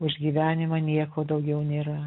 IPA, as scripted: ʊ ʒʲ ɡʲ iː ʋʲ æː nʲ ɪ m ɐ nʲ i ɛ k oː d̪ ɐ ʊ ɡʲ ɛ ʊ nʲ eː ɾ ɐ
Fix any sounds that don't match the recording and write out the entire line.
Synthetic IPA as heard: ʊ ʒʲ ɡʲ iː ʋʲ æː nʲ ɪ m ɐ nʲ i ɛ k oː d̪ ɐ ʊ ɡʲ ɛ ʊ nʲ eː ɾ ɐ